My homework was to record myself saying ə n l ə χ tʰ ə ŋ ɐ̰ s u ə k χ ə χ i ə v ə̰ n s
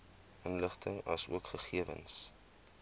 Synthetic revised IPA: ə n l ə χ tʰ ə ŋ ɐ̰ s u ə k χ ə χ i ə v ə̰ n s